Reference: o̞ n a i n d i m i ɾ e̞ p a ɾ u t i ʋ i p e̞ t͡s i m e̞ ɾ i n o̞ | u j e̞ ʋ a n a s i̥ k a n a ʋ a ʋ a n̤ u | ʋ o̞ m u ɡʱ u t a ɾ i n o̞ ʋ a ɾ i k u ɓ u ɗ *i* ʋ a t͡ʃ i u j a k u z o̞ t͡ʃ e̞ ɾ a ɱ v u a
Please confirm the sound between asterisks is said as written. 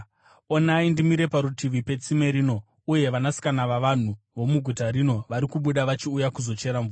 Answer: no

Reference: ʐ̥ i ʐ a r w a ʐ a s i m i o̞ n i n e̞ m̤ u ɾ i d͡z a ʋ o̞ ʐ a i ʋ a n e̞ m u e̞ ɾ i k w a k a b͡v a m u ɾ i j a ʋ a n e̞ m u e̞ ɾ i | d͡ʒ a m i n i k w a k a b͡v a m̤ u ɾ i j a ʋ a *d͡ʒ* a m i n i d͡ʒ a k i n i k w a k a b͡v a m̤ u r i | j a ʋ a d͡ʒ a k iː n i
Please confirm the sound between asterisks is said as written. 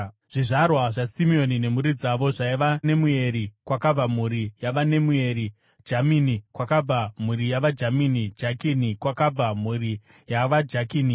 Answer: yes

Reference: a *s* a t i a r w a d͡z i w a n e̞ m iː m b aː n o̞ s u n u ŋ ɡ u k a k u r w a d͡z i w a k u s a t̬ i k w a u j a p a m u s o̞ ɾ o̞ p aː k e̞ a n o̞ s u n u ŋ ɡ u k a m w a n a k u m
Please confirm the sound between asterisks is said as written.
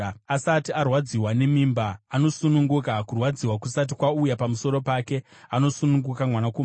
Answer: yes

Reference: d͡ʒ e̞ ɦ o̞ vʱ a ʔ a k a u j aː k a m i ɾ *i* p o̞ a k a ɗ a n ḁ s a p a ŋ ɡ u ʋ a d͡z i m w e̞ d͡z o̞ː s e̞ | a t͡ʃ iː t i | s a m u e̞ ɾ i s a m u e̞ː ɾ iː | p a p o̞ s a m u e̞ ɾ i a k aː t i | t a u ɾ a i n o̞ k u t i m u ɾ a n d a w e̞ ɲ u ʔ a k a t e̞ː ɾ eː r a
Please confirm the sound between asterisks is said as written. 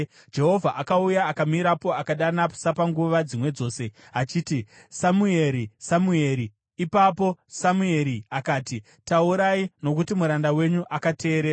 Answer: no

